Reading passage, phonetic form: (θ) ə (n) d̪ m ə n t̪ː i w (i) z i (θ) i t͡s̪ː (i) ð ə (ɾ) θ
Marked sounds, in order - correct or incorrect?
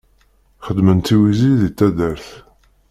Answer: incorrect: χ, incorrect: none, correct, incorrect: ð, incorrect: æ, correct

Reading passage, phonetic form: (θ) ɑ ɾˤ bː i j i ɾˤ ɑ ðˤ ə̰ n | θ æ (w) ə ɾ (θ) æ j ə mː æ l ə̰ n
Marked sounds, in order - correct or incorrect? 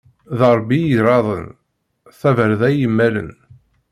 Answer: incorrect: ð, incorrect: v, incorrect: ð

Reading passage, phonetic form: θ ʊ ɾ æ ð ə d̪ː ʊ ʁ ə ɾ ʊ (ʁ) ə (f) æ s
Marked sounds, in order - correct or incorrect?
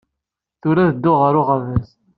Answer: correct, incorrect: v

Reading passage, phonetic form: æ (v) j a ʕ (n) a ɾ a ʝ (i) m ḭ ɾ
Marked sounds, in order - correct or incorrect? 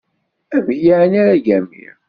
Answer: correct, correct, incorrect: æ

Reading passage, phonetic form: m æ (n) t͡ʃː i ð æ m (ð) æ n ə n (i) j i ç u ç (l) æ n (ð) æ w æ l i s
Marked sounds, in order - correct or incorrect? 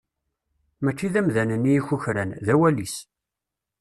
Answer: incorrect: none, correct, correct, incorrect: ɾ, correct

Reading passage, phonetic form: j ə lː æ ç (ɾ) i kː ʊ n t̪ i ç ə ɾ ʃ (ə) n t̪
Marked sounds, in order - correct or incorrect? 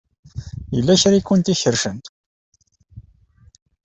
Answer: correct, correct

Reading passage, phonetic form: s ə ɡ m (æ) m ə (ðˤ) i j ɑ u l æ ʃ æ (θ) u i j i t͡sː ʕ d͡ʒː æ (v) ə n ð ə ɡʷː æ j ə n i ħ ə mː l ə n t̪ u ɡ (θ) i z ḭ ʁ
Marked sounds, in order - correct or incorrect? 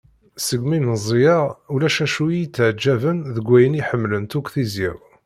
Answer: incorrect: i, incorrect: zˤ, incorrect: ʃ, correct, correct

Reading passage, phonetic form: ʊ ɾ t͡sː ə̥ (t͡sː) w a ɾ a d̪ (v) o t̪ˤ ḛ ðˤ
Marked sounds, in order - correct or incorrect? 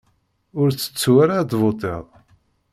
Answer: correct, correct

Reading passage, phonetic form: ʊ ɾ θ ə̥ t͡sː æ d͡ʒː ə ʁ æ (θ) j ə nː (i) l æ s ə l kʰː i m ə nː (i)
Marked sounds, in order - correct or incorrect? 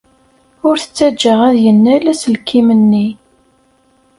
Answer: incorrect: ð, incorrect: æ, correct

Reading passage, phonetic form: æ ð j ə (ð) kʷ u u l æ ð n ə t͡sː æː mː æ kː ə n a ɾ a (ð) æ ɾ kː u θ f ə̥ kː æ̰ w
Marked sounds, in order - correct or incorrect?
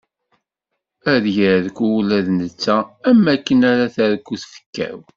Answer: correct, incorrect: θ

